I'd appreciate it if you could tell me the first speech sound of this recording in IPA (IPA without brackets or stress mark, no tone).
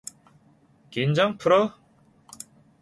k